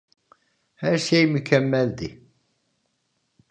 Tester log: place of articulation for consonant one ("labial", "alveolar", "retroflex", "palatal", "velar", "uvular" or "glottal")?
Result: glottal